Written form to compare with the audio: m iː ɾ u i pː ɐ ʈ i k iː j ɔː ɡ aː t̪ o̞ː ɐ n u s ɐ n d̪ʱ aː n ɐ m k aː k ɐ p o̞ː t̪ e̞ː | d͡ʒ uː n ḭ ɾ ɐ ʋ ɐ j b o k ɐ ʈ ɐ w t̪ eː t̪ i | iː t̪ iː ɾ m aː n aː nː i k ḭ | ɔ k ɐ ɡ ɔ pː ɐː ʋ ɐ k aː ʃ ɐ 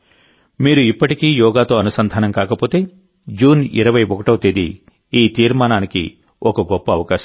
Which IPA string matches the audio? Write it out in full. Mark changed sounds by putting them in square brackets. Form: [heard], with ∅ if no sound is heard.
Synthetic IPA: m iː ɾ u i pː ɐ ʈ i k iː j ɔː ɡ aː t̪ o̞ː ɐ n u s ɐ n d̪ʱ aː n ɐ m k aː k ɐ p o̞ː t̪ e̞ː | d͡ʒ uː n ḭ ɾ ɐ ʋ ɐ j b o k ɐ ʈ ɐ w t̪ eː [d̪] i | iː t̪ iː ɾ m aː n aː [n] i k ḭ | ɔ k ɐ ɡ ɔ pː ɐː ʋ ɐ k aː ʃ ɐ